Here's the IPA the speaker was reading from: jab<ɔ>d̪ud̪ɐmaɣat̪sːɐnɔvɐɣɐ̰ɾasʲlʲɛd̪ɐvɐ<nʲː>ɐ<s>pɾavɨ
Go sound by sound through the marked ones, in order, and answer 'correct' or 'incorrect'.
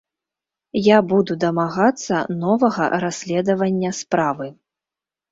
incorrect: u, correct, correct

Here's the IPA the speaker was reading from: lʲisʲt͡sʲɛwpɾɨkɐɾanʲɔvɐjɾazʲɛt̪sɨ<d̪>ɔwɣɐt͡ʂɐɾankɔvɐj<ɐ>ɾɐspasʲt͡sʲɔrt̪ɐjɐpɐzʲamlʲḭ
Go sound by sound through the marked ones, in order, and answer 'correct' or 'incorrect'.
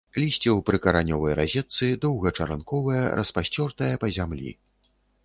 correct, correct

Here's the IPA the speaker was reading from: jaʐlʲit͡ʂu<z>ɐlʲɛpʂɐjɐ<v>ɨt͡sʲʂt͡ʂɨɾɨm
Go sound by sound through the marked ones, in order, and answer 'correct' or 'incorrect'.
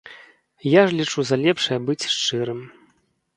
correct, incorrect: b

